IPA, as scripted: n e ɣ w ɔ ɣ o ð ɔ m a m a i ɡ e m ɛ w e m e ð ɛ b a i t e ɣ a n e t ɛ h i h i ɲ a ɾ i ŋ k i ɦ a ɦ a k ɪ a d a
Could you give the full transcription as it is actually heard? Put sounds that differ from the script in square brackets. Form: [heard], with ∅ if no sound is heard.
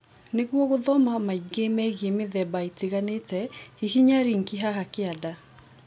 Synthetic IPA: n e ɣ w ɔ ɣ o ð ɔ m a m a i ɡ e m ɛ [ɣ] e m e ð ɛ b a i t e ɣ a n e t ɛ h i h i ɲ a ɾ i ŋ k i ɦ a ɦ a k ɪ a d a